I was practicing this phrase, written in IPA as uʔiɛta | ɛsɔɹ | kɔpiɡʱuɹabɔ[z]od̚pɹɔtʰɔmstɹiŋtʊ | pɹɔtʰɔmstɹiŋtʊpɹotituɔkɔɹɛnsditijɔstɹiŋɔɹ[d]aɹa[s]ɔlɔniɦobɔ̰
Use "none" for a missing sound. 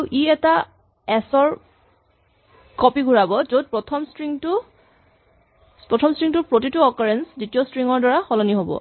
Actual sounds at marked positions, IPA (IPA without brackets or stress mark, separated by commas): z, d, x